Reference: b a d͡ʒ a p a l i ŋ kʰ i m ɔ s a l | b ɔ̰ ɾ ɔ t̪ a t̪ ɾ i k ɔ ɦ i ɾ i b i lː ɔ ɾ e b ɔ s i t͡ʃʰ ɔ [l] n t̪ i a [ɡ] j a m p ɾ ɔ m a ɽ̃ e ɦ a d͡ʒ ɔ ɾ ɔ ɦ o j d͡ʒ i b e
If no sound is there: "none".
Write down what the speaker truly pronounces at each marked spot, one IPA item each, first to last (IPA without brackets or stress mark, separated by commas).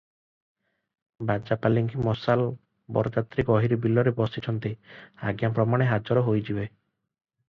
none, ɡ